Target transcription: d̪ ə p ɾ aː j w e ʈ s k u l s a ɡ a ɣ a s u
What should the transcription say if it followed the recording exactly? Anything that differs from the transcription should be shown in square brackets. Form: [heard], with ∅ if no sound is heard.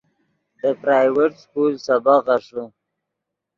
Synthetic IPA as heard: d̪ ə p ɾ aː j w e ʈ s k u l s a [b] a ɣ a [ʂ] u